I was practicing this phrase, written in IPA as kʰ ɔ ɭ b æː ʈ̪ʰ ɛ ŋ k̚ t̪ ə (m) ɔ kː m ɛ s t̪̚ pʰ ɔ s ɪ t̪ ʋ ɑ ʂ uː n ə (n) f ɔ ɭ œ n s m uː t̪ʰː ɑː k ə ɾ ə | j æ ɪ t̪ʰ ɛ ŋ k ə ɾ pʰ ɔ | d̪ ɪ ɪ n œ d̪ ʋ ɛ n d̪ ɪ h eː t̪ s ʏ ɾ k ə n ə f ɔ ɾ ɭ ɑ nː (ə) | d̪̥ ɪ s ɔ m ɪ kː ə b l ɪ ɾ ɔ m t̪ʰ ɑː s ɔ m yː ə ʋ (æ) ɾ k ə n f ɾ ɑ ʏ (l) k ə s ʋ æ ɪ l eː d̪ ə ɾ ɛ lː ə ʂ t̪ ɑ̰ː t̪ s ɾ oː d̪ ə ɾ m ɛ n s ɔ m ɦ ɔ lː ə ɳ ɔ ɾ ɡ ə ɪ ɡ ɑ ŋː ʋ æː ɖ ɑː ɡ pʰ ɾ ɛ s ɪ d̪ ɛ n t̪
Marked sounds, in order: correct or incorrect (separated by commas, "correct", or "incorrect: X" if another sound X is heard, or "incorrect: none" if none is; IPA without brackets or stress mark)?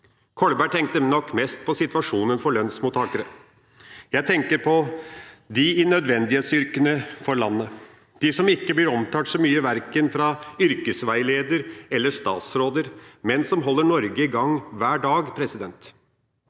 incorrect: n, correct, correct, correct, incorrect: ɾ